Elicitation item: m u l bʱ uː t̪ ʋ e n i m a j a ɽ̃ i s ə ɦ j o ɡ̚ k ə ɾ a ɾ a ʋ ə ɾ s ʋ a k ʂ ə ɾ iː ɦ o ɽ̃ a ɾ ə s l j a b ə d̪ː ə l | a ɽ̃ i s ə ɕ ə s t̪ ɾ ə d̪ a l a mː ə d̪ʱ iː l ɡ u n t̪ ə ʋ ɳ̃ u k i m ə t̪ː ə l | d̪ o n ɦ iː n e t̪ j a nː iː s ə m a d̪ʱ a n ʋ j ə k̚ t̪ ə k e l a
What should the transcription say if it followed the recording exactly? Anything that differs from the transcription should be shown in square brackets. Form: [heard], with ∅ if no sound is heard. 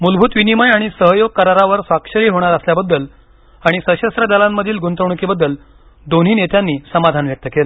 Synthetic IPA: m u l bʱ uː t̪ ʋ [i] n i m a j a ɽ̃ i s ə ɦ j o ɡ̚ k ə ɾ a ɾ a ʋ ə ɾ s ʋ a k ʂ ə ɾ iː ɦ o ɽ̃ a ɾ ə s l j a b ə d̪ː ə l | a ɽ̃ i s ə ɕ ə s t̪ ɾ ə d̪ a l a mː ə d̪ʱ iː l ɡ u n t̪ ə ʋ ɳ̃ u k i [b] ə [d̪ː] ə l | d̪ o n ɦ iː n e t̪ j a nː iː s ə m a d̪ʱ a n ʋ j ə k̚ t̪ ə k e l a